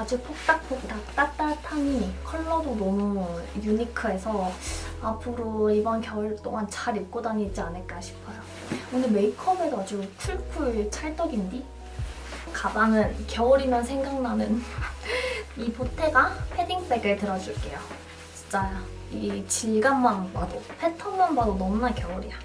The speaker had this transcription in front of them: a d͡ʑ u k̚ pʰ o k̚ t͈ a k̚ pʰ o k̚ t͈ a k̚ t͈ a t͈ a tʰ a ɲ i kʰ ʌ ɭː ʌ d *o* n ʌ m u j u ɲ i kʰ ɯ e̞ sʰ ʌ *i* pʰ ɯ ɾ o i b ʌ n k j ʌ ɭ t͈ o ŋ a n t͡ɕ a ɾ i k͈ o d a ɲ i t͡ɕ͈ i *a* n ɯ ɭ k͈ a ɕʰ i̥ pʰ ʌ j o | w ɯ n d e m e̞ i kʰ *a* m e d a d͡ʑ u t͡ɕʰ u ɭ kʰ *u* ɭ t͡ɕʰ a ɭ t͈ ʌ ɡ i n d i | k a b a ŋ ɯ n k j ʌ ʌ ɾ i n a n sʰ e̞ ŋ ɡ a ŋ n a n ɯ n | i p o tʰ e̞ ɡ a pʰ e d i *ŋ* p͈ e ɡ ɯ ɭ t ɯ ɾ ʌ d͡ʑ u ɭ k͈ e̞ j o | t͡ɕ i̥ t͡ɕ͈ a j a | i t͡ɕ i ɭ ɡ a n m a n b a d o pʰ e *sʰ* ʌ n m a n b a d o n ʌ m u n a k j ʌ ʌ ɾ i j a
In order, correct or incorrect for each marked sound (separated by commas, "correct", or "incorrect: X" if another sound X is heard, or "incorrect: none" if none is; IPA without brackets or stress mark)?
correct, incorrect: a, correct, incorrect: ʌ, correct, correct, incorrect: tʰ